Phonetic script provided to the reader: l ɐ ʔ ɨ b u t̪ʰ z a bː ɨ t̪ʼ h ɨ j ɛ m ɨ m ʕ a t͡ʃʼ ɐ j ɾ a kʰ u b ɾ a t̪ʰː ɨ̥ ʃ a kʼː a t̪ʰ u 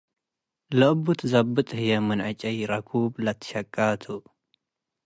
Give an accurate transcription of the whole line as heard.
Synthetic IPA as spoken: l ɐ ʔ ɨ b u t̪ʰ z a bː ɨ t̪ʼ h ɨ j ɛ m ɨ n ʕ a t͡ʃʼ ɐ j ɾ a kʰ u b l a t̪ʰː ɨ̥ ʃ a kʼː a t̪ʰ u